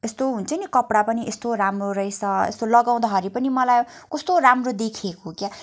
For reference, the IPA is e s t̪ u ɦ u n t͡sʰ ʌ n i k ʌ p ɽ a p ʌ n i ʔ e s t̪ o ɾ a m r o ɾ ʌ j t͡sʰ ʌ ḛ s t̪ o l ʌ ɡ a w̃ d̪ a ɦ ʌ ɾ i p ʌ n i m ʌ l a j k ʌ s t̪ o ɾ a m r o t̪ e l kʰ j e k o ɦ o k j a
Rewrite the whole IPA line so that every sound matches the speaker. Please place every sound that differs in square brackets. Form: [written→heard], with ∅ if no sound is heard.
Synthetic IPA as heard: e s t̪ [u→o] ɦ u n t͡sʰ ʌ n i k ʌ p ɽ a p ʌ n i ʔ e s t̪ o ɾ a m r o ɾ ʌ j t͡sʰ ʌ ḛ s t̪ o l ʌ ɡ a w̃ d̪ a ɦ ʌ ɾ i p ʌ n i m ʌ l a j k ʌ s t̪ o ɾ a m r o [t̪→d̪] e [l→∅] kʰ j e k o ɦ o k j a